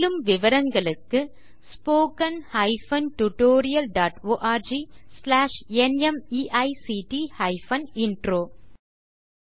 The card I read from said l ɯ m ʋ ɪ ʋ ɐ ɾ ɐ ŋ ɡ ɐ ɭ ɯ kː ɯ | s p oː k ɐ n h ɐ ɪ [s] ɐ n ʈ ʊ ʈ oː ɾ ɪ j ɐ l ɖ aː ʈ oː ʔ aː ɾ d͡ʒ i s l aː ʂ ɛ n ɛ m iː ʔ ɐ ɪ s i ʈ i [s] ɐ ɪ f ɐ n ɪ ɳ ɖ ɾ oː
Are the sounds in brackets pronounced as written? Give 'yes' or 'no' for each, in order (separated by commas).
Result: no, no